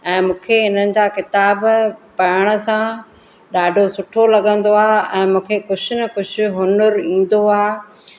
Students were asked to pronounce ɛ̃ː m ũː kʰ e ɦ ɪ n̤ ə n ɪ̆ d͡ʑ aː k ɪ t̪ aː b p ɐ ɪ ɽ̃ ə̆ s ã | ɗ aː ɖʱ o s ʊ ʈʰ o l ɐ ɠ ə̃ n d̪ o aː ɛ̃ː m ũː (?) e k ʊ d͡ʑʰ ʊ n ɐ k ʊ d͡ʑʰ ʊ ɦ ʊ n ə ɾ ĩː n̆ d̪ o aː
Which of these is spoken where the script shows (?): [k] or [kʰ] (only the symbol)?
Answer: kʰ